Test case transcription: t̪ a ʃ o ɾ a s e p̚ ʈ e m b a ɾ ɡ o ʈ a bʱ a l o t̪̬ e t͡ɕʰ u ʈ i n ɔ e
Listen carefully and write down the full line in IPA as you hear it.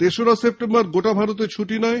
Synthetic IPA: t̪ e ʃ o ɾ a s e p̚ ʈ e m b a ɾ ɡ o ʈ a bʱ a ɾ o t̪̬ e t͡ɕʰ u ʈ i n ɔ e